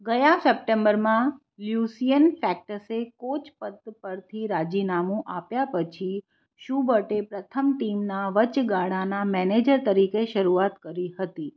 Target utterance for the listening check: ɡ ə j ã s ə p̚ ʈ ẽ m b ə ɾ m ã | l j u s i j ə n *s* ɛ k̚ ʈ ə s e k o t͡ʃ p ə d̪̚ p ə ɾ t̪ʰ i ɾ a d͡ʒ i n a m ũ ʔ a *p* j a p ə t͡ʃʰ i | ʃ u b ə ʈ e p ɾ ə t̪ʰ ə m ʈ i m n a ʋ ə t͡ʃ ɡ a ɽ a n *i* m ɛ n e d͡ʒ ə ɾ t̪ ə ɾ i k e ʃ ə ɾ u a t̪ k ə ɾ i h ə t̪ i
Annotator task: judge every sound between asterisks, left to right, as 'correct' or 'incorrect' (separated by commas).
incorrect, correct, incorrect